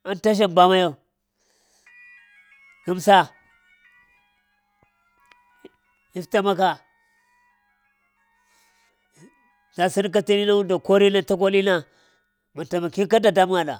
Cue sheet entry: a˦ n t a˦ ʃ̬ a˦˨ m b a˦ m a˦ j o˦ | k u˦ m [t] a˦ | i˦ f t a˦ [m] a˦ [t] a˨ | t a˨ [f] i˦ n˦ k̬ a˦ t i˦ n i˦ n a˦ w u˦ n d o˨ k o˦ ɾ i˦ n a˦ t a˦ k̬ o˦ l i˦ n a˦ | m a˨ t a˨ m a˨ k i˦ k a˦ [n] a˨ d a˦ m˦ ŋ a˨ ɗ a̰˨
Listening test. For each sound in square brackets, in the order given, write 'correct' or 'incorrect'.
incorrect: s, correct, incorrect: k, incorrect: s, incorrect: d

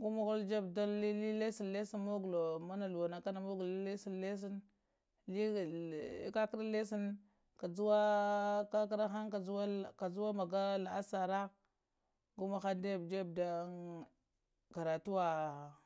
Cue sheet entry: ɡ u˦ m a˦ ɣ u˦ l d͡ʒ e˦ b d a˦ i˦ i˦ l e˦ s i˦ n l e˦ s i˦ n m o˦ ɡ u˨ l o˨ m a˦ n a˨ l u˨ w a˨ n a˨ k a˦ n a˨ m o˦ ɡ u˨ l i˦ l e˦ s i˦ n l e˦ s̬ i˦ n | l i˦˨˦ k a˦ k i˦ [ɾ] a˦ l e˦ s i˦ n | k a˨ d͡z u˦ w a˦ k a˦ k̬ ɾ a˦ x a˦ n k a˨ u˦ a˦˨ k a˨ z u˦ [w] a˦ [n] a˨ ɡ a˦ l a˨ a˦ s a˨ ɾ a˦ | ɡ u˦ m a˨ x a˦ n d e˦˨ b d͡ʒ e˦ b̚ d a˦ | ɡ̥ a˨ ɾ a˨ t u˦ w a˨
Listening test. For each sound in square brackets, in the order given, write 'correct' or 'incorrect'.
correct, correct, incorrect: m

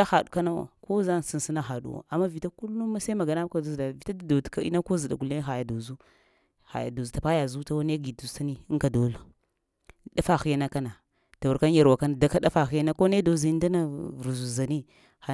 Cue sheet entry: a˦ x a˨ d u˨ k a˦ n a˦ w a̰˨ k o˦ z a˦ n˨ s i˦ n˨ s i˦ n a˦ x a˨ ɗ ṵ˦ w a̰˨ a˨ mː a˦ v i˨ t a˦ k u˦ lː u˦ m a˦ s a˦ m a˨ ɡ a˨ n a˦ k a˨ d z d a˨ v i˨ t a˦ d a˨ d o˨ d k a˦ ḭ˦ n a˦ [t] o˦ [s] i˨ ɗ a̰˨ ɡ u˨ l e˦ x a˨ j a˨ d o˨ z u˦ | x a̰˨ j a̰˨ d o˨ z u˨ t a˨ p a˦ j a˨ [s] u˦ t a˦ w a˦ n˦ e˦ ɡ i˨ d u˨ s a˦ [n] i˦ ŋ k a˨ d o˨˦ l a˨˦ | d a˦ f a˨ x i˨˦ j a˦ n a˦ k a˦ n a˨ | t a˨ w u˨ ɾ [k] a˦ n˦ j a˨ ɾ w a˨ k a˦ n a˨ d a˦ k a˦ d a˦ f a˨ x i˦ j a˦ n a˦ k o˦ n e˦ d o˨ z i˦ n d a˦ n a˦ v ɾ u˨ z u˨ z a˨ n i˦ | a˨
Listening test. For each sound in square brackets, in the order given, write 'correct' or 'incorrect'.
incorrect: k, incorrect: z, incorrect: z, correct, correct

